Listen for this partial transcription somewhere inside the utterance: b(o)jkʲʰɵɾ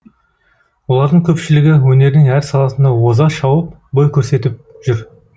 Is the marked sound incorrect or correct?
correct